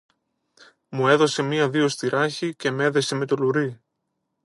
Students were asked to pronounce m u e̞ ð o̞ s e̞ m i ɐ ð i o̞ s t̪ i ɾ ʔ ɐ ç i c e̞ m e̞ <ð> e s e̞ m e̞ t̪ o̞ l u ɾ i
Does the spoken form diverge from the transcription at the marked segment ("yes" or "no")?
no